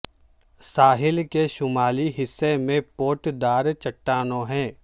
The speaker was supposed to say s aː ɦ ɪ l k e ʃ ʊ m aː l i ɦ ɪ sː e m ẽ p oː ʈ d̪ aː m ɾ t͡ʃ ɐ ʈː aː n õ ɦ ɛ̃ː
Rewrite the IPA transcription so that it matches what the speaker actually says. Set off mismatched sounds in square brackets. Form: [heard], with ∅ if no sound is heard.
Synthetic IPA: s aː ɦ ɪ l k e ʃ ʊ m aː l i ɦ ɪ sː e m ẽ p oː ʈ d̪ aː [∅] ɾ t͡ʃ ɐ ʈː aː n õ ɦ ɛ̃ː